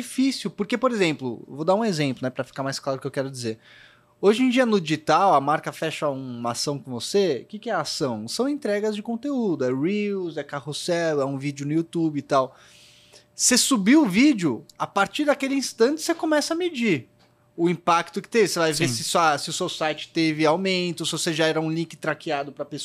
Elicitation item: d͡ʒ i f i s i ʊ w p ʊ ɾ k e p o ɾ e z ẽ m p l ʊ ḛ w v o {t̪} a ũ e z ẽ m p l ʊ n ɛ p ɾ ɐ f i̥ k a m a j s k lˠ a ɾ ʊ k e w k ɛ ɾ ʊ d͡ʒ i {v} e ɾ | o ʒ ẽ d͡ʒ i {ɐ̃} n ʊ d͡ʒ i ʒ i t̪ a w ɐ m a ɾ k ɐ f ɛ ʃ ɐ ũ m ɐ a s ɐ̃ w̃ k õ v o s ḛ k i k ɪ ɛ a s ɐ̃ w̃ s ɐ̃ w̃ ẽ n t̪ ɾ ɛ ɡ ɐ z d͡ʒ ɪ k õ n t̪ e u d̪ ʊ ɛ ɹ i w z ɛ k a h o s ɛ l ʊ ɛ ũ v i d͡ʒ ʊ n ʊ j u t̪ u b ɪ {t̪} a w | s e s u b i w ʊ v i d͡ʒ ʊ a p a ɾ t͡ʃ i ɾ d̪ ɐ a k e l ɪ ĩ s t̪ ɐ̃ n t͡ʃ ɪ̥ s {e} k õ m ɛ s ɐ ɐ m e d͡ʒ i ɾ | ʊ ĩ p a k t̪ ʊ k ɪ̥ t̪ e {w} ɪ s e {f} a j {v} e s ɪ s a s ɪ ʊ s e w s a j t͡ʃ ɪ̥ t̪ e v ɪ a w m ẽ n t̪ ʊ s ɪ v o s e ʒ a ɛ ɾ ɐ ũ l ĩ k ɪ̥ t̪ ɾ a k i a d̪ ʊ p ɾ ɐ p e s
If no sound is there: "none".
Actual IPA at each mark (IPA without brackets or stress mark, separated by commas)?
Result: d̪, z, ɐ, t̪, e, v, v, v